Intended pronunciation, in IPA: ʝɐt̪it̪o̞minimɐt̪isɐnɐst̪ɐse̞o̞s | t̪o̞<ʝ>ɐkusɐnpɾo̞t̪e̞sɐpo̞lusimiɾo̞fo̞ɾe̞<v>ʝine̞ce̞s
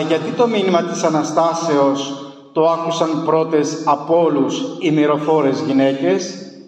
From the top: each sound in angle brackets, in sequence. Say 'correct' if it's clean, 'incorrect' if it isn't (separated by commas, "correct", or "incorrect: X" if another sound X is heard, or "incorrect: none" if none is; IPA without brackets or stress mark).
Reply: incorrect: none, incorrect: z